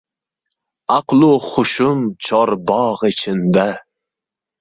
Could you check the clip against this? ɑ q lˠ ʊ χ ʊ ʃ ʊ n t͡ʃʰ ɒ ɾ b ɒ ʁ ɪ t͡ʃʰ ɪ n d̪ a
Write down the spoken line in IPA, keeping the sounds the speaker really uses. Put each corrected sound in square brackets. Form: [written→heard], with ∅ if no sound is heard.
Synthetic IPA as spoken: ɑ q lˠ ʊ χ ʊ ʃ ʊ [n→m] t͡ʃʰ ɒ ɾ b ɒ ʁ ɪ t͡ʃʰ ɪ n d̪ a